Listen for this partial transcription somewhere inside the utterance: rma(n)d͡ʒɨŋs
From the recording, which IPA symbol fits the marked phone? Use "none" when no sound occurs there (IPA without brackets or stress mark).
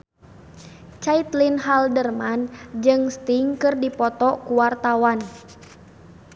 n